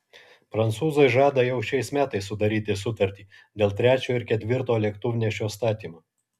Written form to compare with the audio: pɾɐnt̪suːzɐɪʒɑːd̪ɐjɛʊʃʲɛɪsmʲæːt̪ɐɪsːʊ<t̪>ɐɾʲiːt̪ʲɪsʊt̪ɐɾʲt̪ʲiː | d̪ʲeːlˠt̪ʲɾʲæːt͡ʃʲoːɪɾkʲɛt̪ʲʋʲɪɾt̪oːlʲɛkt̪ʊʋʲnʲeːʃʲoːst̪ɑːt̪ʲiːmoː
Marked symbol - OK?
no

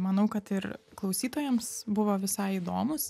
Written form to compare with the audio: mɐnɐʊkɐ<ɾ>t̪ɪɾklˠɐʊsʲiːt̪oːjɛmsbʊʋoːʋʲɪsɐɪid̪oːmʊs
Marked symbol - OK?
no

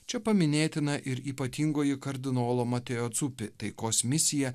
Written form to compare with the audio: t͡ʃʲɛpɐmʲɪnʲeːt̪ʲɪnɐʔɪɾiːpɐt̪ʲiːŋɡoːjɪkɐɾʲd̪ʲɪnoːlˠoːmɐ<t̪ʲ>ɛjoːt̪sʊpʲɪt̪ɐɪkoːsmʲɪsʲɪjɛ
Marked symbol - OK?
yes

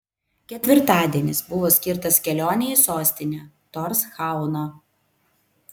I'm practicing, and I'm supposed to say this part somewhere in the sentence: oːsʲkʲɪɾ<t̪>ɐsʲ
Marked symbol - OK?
yes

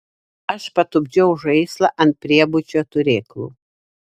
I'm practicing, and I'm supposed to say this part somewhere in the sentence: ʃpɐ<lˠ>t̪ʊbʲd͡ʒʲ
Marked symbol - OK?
no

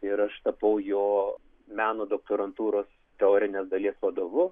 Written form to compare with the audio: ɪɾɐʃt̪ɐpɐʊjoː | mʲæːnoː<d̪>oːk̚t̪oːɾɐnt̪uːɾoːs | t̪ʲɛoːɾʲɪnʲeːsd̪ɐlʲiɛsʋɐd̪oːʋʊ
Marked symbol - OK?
yes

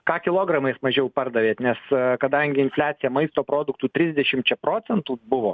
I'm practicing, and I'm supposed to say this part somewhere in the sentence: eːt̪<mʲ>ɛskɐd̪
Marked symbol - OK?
no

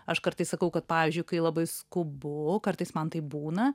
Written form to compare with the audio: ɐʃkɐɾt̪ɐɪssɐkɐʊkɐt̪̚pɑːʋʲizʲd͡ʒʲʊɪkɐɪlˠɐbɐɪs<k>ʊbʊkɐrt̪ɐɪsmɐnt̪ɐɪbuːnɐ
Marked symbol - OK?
yes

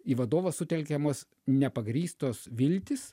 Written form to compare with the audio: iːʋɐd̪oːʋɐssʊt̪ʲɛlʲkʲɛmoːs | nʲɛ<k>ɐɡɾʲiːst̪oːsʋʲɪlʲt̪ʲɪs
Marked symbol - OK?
no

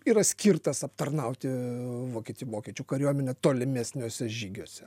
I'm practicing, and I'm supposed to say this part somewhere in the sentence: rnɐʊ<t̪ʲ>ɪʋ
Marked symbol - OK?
yes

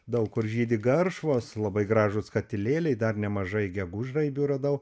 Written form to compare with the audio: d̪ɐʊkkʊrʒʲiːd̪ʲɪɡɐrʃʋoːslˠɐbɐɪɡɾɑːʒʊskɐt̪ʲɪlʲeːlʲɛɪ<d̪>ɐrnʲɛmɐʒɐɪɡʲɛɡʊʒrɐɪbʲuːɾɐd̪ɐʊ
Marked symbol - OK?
yes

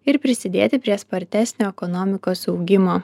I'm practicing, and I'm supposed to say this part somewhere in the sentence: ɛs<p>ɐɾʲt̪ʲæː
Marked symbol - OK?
yes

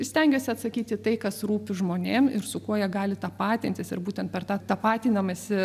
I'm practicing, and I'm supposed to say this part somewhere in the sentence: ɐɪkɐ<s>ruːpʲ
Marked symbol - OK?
yes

